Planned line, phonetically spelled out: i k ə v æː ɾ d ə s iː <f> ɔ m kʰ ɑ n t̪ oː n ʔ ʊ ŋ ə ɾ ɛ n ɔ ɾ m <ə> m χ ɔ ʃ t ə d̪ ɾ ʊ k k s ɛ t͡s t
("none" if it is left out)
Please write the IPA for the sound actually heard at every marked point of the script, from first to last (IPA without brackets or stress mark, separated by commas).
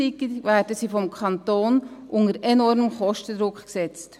f, ə